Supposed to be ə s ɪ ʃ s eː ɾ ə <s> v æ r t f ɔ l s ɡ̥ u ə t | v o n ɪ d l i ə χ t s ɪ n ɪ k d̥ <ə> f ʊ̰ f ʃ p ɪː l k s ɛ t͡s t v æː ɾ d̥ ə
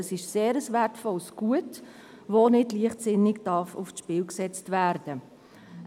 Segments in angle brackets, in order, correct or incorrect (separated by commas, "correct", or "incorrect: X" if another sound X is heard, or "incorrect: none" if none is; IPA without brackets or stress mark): correct, incorrect: ɑ